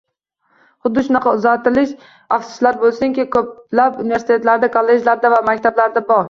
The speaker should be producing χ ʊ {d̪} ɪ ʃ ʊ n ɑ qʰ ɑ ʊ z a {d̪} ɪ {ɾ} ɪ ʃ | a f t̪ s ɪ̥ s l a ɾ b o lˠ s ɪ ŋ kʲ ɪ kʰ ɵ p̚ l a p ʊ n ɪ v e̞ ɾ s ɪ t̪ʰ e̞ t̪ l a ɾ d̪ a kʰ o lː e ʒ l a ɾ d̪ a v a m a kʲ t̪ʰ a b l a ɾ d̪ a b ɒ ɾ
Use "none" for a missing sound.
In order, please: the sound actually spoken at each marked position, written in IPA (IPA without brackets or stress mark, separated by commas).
d̪ː, t̪, l